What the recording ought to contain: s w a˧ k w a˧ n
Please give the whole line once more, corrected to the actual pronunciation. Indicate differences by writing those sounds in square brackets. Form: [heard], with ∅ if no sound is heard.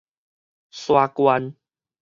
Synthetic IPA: s w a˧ k w a˧ n